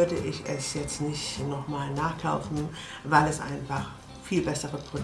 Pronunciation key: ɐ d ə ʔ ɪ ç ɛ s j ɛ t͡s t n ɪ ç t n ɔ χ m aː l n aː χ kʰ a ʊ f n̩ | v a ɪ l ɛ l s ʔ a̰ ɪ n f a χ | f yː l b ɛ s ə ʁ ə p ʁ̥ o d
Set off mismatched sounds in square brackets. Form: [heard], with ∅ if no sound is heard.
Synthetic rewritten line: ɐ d ə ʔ ɪ ç ɛ s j ɛ t͡s t n ɪ ç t n ɔ χ m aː l n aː χ kʰ a ʊ f n̩ | v a ɪ l ɛ [∅] s ʔ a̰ ɪ n f a χ | f [iː] l b ɛ s ə ʁ ə p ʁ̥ o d